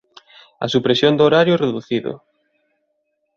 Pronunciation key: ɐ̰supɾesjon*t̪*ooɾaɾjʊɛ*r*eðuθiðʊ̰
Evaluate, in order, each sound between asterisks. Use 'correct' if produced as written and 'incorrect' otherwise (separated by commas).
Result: incorrect, correct